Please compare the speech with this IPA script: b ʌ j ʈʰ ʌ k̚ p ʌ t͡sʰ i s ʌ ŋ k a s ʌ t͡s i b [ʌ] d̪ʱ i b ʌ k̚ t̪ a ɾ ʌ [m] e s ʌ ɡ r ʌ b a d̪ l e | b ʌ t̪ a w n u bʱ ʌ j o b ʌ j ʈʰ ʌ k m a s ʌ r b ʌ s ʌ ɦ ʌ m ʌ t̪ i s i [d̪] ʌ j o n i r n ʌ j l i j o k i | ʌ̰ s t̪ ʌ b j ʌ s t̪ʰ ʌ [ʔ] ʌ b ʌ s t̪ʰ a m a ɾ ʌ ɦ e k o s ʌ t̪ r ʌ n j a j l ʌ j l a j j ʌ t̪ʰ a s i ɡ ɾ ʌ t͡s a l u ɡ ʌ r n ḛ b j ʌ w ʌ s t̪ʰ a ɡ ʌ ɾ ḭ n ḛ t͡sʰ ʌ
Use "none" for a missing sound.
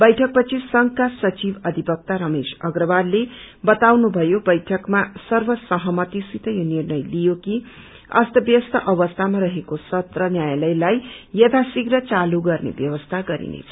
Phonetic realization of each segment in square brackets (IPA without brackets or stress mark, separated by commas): ʌ, m, t̪, ʔ